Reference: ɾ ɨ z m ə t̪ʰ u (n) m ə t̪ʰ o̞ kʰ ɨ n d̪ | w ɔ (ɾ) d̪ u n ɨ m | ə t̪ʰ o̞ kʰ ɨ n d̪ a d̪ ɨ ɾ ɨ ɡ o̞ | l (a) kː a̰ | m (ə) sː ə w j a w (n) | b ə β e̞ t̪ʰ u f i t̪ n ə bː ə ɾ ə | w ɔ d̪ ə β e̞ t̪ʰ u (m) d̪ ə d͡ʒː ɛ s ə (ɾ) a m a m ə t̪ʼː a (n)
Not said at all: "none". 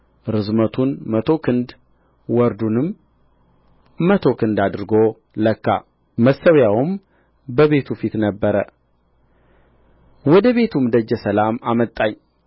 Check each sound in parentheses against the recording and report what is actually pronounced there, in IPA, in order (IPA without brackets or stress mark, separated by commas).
n, ɾ, ə, ə, m, m, l, ɲ